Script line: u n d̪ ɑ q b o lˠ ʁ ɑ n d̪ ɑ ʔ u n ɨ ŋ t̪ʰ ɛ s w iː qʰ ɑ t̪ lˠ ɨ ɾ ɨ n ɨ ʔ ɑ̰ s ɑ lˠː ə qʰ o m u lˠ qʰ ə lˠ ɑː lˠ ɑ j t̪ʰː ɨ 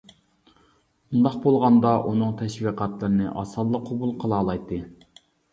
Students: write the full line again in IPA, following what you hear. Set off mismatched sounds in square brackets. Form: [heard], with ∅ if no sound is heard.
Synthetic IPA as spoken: u n d̪ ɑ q b o lˠ ʁ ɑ n d̪ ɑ ʔ u n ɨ ŋ t̪ʰ ɛ [ʃ] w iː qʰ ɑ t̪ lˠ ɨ ɾ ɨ n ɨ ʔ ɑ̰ s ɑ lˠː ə qʰ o [b] u lˠ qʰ ə lˠ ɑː lˠ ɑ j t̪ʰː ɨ